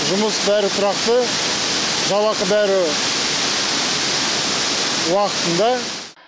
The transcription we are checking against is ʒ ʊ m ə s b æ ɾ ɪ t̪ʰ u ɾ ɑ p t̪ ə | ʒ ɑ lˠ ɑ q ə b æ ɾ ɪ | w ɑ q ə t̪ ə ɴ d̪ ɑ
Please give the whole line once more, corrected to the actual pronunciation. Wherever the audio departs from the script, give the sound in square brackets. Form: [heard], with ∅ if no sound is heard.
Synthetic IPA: ʒ ʊ m ə s b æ ɾ ɪ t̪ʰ [ʊ] ɾ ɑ [q] t̪ ə | ʒ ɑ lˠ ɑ q ə b æ ɾ ɪ | w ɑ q ə t̪ ə [n] d̪ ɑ